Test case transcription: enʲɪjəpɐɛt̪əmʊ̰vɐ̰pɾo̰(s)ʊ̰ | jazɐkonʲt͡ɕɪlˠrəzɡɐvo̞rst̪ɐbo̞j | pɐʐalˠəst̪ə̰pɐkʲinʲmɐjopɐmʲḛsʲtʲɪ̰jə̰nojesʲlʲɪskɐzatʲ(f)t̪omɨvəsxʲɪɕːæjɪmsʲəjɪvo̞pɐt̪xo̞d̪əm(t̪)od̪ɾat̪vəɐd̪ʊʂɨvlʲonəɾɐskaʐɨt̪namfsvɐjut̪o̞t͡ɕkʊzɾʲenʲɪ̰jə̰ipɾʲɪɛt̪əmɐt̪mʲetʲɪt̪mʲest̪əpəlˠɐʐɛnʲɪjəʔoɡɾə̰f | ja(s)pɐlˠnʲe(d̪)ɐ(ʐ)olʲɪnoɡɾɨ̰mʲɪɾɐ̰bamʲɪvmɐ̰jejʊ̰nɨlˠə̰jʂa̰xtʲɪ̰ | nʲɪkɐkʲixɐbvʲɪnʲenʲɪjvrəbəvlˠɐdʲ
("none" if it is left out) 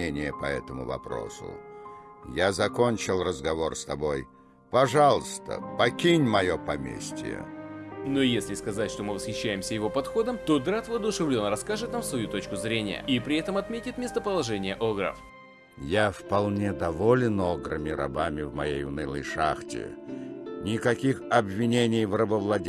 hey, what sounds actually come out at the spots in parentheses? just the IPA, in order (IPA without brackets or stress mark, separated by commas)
s, ʂ, t̪, f, d̪, v